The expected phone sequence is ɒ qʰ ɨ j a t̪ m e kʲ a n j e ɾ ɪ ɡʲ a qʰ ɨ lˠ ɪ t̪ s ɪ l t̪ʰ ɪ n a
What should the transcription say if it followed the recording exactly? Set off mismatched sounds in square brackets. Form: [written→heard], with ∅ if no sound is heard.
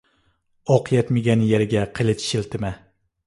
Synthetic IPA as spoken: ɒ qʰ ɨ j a t̪ m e [kʲ→ɡʲ] a n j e ɾ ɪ ɡʲ a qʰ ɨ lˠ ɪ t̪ [s→ʃ] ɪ l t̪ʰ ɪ [n→m] a